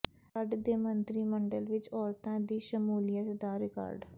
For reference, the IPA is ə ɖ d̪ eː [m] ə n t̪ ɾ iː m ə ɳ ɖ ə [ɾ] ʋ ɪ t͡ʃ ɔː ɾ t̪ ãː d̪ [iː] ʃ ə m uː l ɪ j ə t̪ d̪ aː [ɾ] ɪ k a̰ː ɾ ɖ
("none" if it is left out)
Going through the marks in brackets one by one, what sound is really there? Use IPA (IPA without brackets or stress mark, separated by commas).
m, l, iː, ɾ